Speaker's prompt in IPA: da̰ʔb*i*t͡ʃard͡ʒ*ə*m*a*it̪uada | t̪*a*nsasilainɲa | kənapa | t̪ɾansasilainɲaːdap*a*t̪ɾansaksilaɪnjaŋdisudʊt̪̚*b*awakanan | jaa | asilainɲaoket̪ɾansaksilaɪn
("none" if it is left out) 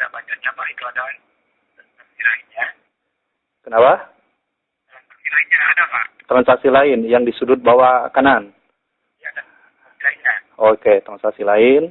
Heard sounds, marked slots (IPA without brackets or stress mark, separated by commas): a, a, a, a, a, b